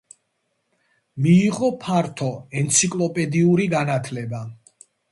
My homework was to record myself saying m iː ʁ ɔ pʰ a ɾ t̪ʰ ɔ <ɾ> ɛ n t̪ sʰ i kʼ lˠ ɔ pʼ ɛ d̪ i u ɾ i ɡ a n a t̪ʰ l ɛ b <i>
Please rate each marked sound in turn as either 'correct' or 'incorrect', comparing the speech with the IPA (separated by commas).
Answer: incorrect, incorrect